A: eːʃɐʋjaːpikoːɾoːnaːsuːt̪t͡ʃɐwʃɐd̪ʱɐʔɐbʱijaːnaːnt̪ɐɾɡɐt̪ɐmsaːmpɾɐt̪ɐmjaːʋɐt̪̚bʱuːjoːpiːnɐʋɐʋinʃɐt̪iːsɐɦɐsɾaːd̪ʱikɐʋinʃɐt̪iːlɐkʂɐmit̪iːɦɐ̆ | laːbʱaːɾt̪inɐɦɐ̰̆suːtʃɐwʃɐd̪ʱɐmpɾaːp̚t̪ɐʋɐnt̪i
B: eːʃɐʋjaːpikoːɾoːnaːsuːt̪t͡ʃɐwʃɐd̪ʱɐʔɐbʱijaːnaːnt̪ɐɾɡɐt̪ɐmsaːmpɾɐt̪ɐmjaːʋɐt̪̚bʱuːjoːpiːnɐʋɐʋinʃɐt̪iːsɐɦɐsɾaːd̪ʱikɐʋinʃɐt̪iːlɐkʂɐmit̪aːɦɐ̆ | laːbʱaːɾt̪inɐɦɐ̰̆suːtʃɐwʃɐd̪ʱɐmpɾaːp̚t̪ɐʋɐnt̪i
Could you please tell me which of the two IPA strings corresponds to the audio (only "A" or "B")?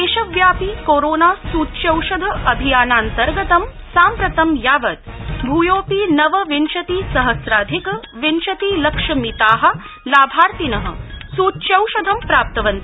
B